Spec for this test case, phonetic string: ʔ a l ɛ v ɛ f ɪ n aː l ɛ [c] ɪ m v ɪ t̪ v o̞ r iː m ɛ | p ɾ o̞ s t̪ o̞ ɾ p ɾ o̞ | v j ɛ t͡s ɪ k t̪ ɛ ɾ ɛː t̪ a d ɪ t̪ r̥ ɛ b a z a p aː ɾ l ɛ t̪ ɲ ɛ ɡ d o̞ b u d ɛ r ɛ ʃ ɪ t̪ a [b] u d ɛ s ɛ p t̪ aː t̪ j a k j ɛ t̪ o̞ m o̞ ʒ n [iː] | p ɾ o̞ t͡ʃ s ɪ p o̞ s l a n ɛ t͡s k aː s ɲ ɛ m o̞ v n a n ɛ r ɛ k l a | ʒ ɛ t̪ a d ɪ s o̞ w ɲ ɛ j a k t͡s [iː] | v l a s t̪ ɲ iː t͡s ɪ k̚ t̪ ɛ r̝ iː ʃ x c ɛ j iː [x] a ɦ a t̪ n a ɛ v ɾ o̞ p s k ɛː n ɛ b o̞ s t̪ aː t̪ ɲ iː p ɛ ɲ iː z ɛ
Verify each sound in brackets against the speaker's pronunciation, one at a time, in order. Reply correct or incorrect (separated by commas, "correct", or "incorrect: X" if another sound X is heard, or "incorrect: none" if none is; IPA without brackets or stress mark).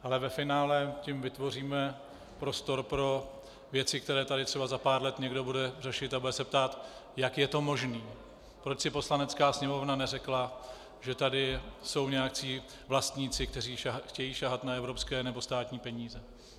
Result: correct, correct, correct, correct, incorrect: ʃ